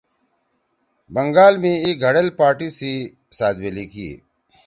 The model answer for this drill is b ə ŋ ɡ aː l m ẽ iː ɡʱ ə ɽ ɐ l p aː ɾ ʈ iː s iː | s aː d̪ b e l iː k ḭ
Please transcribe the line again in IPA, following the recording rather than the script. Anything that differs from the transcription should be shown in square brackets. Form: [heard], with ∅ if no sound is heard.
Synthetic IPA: b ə ŋ ɡ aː l m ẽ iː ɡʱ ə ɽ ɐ l p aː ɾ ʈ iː s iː | s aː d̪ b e l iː k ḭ